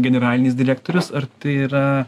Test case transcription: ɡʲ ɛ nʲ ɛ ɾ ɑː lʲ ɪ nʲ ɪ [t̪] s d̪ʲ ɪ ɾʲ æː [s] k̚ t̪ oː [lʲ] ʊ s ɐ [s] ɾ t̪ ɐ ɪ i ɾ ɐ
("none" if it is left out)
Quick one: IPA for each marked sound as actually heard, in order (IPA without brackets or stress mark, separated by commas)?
none, none, ɾʲ, none